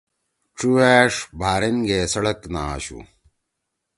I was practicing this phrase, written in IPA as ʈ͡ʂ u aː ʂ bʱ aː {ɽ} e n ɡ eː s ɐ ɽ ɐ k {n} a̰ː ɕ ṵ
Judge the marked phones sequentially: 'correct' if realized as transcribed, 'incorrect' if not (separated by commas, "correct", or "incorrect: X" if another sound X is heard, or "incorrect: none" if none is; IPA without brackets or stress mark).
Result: incorrect: ɾ, correct